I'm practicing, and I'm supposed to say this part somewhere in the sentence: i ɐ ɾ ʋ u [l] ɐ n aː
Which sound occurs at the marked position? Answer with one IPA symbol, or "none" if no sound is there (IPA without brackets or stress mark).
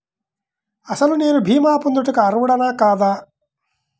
ɽ